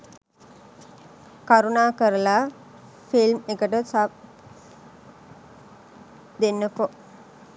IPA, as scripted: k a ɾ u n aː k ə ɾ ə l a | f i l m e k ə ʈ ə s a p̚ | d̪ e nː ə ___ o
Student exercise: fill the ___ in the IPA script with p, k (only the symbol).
p